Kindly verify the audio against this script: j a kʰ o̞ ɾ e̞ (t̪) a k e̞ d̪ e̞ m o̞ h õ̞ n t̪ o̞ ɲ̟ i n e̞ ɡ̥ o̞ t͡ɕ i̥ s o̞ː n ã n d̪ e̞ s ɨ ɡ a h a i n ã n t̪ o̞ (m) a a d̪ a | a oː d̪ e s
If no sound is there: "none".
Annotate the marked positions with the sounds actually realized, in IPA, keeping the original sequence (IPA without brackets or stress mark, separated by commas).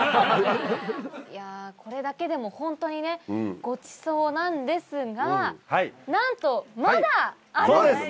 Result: d̪, m